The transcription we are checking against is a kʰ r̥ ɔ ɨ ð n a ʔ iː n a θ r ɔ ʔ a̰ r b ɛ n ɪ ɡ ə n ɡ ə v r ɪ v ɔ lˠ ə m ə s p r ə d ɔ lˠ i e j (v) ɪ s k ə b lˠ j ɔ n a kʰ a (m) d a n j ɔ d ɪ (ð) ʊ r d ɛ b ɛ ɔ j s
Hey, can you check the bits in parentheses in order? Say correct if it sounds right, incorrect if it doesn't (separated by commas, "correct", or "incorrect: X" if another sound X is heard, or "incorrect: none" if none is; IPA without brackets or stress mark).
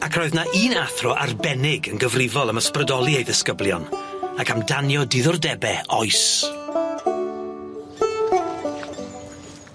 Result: incorrect: ð, correct, correct